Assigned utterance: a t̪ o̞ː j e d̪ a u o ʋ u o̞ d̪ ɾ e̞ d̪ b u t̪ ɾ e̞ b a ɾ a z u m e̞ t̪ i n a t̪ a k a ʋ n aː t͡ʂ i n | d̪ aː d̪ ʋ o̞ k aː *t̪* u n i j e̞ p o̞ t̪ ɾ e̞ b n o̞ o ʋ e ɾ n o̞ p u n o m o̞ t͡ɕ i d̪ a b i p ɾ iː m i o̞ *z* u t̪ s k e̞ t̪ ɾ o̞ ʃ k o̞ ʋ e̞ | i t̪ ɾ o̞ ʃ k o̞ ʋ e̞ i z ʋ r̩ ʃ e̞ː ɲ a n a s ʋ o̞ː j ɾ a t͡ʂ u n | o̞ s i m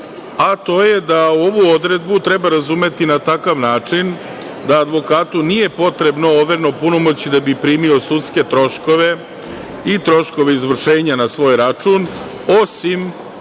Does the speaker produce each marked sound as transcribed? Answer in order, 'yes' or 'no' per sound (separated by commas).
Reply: yes, no